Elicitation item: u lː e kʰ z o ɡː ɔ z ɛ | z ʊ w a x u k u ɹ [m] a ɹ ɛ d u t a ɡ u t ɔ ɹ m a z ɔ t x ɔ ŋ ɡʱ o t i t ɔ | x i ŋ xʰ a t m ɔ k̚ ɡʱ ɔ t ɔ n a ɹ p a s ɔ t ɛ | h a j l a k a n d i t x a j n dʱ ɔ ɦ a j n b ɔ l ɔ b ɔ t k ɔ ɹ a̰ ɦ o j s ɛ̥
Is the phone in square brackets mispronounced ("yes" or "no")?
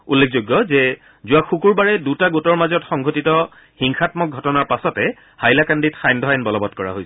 yes